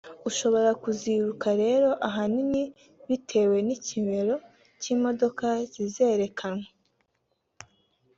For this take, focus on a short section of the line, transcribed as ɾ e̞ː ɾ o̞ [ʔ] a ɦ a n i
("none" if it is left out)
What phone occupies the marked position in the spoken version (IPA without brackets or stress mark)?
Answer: ʔ